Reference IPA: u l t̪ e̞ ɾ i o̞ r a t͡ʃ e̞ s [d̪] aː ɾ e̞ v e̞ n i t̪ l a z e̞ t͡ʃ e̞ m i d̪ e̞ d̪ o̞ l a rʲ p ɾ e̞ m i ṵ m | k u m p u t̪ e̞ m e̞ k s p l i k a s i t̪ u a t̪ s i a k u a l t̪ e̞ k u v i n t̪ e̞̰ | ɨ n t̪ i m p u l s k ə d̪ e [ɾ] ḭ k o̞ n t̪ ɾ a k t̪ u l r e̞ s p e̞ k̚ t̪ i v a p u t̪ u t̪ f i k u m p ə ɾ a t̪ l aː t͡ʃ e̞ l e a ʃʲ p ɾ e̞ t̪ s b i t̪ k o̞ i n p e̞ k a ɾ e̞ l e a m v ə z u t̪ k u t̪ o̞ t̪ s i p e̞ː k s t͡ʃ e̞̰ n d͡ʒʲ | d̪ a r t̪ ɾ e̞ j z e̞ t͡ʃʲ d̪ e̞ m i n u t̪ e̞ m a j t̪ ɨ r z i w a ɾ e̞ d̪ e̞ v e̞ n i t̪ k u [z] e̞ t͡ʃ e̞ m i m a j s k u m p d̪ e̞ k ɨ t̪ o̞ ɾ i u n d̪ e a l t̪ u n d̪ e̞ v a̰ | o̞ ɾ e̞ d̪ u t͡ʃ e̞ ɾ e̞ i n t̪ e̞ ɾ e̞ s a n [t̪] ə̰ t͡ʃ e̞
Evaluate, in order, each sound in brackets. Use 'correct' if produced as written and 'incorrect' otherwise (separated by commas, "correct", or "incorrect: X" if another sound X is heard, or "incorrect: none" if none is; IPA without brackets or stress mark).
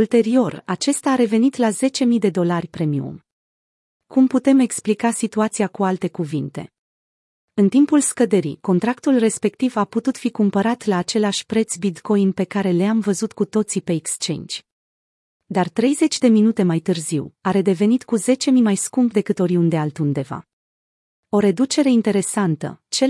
incorrect: t̪, correct, correct, correct